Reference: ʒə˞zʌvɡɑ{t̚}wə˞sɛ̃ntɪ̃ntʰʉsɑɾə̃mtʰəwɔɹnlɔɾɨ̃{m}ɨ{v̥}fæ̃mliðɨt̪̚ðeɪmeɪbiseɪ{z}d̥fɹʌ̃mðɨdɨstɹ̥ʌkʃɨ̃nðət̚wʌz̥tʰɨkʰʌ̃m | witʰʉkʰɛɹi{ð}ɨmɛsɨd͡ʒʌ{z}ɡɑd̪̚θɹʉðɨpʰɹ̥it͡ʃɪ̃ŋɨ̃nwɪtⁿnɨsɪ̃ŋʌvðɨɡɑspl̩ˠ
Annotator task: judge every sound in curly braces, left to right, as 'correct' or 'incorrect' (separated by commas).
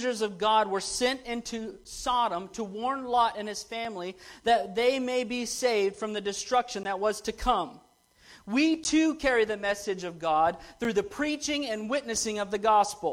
incorrect, incorrect, incorrect, incorrect, correct, incorrect